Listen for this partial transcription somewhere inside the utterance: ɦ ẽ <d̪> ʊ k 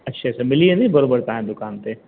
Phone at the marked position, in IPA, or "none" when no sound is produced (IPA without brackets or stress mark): d̪